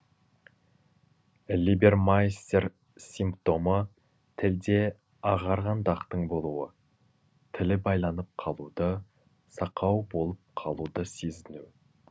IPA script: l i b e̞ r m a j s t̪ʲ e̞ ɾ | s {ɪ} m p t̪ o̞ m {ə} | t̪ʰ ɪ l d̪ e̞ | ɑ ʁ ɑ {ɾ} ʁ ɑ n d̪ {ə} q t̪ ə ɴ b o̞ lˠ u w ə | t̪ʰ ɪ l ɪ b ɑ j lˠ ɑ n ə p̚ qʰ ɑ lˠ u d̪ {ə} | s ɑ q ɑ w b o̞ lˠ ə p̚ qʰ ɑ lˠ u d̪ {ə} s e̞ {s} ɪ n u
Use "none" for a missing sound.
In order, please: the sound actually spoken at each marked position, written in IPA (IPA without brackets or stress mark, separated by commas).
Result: i, ə, ɾ, ɑ, ə, ə, z